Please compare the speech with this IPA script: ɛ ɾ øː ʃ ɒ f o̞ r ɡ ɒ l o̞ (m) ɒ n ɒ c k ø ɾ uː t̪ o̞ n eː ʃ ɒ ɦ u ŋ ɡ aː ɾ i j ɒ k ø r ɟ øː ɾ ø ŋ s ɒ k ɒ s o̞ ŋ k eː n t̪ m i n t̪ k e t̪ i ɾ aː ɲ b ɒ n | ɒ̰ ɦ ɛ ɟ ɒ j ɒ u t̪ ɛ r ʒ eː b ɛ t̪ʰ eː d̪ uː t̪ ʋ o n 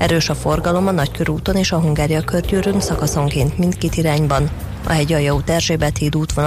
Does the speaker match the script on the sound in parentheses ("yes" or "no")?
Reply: yes